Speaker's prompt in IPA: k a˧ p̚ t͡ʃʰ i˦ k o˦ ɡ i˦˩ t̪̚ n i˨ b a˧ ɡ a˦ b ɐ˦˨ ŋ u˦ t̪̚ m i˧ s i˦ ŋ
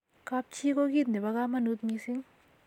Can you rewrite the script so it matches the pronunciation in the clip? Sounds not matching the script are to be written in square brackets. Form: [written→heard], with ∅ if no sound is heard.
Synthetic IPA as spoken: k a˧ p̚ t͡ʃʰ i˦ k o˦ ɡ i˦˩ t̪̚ n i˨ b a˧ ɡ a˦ [b→m] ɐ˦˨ [ŋ→n] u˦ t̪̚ m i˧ s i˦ ŋ